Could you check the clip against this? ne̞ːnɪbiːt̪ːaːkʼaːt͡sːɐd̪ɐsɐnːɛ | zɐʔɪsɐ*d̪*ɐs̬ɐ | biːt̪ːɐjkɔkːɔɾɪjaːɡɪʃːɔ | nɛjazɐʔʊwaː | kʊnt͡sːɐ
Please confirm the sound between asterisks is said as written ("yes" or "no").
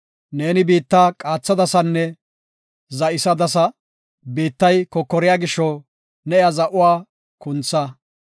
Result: yes